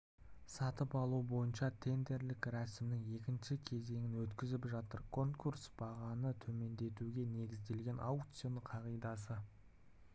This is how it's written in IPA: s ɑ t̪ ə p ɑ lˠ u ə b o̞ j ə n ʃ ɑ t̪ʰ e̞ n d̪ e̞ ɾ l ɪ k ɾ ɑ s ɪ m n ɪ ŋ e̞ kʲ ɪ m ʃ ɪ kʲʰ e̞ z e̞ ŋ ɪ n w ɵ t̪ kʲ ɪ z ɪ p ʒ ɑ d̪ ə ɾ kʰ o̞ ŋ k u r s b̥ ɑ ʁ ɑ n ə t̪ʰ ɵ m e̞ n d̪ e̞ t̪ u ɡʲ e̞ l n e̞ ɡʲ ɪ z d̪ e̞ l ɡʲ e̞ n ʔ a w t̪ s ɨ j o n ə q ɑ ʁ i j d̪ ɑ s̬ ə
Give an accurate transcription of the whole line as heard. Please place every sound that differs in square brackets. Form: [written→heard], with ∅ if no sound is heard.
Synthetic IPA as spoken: s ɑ t̪ ə p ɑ lˠ u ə b o̞ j ə n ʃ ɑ t̪ʰ e̞ n d̪ e̞ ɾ l ɪ k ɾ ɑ s ɪ m n ɪ ŋ e̞ kʲ ɪ [m→n] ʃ ɪ kʲʰ e̞ z e̞ ŋ ɪ n w ɵ t̪ kʲ ɪ z ɪ p ʒ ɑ [d̪→t̪] ə ɾ kʰ o̞ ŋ k u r s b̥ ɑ ʁ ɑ n ə t̪ʰ ɵ m e̞ n d̪ e̞ t̪ u ɡʲ e̞ [l→∅] n e̞ ɡʲ ɪ z d̪ e̞ l ɡʲ e̞ n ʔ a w t̪ s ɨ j o n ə [q→qʰ] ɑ ʁ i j d̪ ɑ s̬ ə

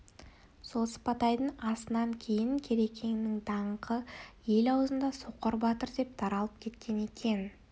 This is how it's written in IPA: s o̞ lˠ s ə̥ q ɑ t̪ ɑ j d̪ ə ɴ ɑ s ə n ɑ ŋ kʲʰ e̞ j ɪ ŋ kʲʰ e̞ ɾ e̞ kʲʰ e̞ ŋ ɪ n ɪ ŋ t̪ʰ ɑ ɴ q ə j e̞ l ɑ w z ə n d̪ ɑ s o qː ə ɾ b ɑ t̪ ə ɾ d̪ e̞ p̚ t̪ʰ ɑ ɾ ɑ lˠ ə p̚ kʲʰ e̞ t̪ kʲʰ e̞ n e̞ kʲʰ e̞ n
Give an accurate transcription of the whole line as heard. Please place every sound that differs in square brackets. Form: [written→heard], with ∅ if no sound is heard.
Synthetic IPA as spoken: s o̞ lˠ s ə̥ [q→p] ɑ t̪ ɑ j d̪ ə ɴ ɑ s ə n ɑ ŋ kʲʰ e̞ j ɪ ŋ kʲʰ e̞ ɾ e̞ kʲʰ e̞ ŋ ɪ n ɪ ŋ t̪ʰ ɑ ɴ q ə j e̞ l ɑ w z ə n d̪ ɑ s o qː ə ɾ b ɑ t̪ ə ɾ d̪ e̞ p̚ t̪ʰ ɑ ɾ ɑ lˠ ə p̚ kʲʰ e̞ t̪ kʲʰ e̞ n e̞ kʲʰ e̞ n

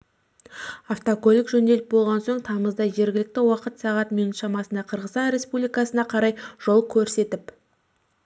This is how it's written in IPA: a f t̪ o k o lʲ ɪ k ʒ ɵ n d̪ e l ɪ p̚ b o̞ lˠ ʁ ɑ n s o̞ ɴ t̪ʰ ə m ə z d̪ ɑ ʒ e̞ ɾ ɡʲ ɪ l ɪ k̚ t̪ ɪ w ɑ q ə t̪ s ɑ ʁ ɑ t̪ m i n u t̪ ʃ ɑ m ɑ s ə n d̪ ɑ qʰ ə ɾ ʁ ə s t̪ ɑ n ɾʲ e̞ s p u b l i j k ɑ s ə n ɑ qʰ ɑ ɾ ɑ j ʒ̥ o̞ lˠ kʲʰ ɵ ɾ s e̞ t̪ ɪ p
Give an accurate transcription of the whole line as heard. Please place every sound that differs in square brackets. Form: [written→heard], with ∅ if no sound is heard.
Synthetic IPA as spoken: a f t̪ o k o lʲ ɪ k ʒ ɵ n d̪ e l ɪ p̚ b o̞ lˠ ʁ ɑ n s o̞ ɴ t̪ʰ [ə→ɑ] m ə z d̪ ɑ ʒ e̞ ɾ ɡʲ ɪ l ɪ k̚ t̪ ɪ w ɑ q ə t̪ s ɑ ʁ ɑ t̪ m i n u t̪ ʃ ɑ m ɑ s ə n d̪ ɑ qʰ ə ɾ ʁ ə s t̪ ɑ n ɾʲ e̞ s p u b l i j k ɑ s ə n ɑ qʰ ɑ ɾ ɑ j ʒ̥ o̞ lˠ kʲʰ ɵ ɾ s e̞ t̪ ɪ p

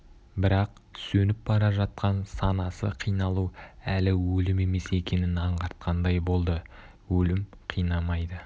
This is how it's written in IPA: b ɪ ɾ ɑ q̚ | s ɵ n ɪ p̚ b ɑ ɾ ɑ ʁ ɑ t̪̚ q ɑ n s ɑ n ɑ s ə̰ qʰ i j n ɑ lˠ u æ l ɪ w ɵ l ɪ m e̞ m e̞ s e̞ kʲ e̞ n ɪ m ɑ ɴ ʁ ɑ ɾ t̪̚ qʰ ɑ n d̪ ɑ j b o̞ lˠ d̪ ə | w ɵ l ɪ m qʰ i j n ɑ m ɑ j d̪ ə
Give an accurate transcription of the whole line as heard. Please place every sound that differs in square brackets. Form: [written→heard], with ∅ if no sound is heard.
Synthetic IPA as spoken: b ɪ ɾ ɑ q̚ | s ɵ n ɪ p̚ b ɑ ɾ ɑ [ʁ→ʒ] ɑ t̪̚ q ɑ n s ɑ n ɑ s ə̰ qʰ i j n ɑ lˠ u æ l ɪ w ɵ l ɪ m e̞ m e̞ s e̞ kʲ e̞ n ɪ [m→n] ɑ ɴ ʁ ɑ ɾ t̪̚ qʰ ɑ n d̪ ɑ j b o̞ lˠ d̪ ə | w ɵ l ɪ m qʰ i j n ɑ m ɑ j d̪ ə

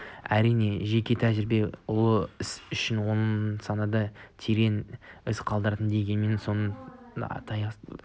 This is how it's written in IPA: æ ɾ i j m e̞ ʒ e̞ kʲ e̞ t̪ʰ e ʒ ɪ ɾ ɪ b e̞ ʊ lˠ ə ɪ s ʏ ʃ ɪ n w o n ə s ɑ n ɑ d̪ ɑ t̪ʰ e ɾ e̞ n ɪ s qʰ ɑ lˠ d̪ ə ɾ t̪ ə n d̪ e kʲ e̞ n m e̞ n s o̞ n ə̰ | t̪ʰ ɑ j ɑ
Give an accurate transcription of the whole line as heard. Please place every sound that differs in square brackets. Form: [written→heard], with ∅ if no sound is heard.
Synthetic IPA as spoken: æ ɾ i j [m→n] e̞ ʒ e̞ kʲ e̞ t̪ʰ [e→æ] ʒ ɪ ɾ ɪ b e̞ ʊ lˠ ə ɪ s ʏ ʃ ɪ n w o n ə s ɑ n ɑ d̪ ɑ t̪ʰ e ɾ e̞ n ɪ s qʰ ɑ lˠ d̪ ə ɾ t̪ ə n d̪ e [kʲ→ɡʲ] e̞ n m e̞ n s o̞ n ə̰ | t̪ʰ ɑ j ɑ

